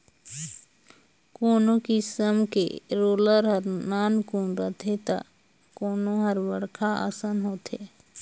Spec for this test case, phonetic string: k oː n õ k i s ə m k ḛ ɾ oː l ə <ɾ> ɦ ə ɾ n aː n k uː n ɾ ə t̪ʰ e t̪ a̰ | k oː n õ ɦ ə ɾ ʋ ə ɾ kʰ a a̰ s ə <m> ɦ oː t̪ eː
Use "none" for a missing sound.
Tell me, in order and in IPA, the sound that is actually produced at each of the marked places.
ɾ, n

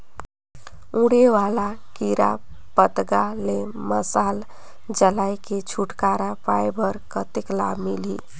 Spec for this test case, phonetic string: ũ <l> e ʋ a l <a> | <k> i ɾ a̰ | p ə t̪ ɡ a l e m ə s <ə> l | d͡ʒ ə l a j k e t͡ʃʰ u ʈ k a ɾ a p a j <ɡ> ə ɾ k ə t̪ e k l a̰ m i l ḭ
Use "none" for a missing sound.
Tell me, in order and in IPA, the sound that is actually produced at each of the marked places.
ɽ, a, k, a, b

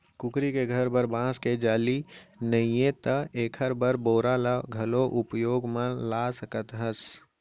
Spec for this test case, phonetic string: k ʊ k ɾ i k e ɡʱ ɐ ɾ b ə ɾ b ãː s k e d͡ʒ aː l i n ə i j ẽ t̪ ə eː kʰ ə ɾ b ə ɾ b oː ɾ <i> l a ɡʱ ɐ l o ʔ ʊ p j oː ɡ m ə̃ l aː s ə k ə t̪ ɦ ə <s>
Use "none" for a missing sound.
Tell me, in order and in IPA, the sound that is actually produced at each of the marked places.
a, s

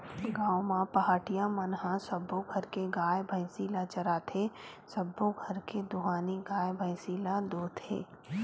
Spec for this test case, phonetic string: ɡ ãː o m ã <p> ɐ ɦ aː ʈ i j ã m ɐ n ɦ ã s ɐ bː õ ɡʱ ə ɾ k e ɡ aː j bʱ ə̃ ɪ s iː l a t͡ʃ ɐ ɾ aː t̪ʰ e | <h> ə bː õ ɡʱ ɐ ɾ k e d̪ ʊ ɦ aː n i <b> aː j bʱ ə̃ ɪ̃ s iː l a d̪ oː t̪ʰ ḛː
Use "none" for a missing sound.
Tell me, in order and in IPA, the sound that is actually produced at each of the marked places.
p, s, ɡ

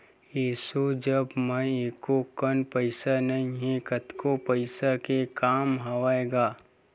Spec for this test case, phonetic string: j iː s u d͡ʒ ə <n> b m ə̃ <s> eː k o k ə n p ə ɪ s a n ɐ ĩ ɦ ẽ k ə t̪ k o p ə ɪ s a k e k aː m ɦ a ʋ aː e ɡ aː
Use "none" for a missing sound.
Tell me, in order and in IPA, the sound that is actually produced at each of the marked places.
none, none

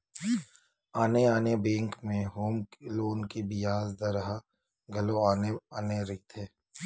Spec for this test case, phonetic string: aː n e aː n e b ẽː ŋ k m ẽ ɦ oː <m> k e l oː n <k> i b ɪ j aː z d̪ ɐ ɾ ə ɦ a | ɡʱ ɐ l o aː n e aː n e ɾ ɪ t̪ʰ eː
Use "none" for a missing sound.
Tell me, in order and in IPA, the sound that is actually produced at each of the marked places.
m, k

